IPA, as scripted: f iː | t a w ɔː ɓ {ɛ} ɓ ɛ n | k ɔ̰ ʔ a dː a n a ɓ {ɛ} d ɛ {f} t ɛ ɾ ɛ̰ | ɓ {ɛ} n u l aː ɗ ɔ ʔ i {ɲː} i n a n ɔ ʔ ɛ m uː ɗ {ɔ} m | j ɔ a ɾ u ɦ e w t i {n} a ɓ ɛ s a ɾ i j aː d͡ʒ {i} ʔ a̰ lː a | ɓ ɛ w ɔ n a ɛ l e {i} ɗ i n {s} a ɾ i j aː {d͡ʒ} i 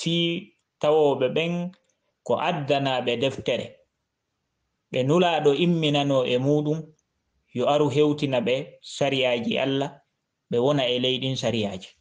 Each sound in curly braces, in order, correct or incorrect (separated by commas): correct, correct, correct, correct, incorrect, incorrect, correct, correct, incorrect, correct, correct